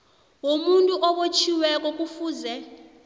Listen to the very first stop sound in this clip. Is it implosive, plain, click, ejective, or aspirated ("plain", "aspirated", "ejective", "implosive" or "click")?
ejective